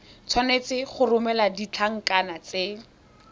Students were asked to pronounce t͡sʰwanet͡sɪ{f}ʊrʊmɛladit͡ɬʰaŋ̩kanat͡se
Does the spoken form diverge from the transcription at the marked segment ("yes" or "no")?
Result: yes